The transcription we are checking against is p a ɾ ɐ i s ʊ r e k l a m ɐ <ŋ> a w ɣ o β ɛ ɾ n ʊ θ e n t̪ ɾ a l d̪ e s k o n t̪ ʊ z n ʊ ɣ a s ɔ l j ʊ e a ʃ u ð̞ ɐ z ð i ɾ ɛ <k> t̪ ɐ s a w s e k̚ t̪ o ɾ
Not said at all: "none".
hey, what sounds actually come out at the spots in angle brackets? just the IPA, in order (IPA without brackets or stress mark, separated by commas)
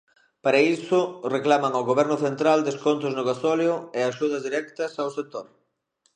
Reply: ŋ, k